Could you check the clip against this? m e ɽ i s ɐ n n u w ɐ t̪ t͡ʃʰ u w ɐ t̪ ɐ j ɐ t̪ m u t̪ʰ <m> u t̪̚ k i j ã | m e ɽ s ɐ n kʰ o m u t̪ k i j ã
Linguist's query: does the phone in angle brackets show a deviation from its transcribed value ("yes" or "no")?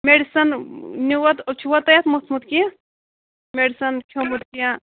no